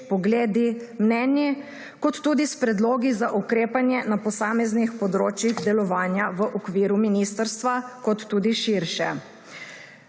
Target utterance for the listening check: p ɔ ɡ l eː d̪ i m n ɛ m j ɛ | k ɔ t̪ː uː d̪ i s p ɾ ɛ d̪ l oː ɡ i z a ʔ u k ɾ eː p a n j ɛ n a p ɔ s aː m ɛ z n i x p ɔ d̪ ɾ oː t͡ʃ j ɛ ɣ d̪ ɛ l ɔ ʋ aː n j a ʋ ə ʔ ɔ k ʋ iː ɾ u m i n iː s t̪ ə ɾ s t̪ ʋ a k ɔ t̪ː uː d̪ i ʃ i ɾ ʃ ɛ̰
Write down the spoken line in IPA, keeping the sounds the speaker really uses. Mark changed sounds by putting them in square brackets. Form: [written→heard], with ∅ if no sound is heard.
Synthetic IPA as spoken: p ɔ ɡ l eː d̪ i m n ɛ [m→n] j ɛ | k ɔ t̪ː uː d̪ i s p ɾ ɛ d̪ l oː ɡ i z a ʔ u k ɾ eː p a n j ɛ n a p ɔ s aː m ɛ z n i x p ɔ d̪ ɾ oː t͡ʃ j [ɛ→i] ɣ d̪ ɛ l ɔ ʋ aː n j a ʋ ə ʔ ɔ k ʋ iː ɾ u m i n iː s t̪ ə ɾ s t̪ ʋ a k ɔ t̪ː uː d̪ i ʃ i ɾ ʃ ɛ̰